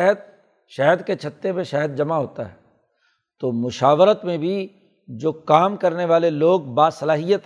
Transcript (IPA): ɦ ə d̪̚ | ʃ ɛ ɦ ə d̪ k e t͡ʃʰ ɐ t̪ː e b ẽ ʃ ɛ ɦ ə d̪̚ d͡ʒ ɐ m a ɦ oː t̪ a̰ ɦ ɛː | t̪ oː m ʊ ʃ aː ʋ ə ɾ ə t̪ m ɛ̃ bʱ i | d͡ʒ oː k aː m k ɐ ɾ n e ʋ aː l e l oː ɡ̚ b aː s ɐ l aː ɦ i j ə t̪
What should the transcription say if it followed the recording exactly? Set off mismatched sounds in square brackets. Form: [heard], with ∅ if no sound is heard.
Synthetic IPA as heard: ɦ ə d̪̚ | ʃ ɛ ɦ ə d̪ k e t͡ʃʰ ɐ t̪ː e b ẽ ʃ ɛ ɦ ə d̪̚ d͡ʒ ɐ m a ɦ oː t̪ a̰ ɦ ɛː | t̪ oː m ʊ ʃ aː ʋ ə ɾ ə t̪ m [ẽ] bʱ i | d͡ʒ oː k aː m k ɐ ɾ n e ʋ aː l e l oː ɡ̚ b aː s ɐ l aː ɦ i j ə t̪